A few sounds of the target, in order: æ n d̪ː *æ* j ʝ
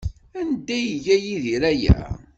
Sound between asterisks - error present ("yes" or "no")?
no